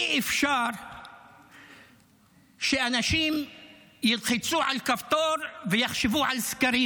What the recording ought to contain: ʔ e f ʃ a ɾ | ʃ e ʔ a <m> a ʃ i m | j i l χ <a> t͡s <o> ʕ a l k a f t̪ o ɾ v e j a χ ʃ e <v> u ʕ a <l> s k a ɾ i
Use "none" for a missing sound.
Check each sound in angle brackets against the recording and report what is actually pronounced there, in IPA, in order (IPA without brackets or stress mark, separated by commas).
n, i, u, v, l